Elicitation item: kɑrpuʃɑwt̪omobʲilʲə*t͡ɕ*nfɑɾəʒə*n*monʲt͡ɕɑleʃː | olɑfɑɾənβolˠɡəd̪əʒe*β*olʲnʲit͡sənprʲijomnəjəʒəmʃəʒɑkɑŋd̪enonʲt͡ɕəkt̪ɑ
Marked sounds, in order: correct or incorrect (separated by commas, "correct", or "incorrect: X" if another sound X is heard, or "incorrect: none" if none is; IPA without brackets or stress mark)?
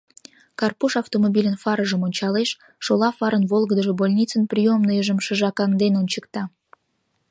incorrect: none, incorrect: none, incorrect: b